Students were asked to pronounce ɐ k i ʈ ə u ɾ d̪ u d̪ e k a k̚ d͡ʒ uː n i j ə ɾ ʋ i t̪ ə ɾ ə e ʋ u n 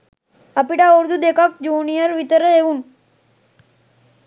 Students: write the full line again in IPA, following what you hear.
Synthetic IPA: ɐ p i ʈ a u ɾ d̪ u d̪ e k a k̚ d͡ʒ uː n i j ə ɾ ʋ i t̪ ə ɾ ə e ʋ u n